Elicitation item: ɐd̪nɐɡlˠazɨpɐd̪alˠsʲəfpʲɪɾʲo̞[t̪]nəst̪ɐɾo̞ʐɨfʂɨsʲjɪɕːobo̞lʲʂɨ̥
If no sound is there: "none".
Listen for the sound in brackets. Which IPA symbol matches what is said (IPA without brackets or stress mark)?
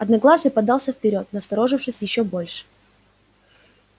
t̪